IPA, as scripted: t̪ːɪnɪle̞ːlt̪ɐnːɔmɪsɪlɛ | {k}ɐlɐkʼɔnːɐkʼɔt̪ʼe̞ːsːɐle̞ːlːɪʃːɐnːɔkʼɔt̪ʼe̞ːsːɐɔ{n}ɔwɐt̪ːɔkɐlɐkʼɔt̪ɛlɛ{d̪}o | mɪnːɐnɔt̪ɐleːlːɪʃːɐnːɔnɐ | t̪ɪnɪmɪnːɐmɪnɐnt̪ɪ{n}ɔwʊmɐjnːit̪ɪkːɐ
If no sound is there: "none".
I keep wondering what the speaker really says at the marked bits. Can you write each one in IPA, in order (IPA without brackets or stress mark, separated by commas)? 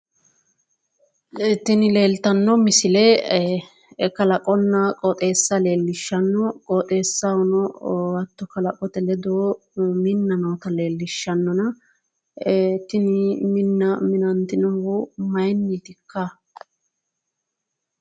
k, n, d̪, n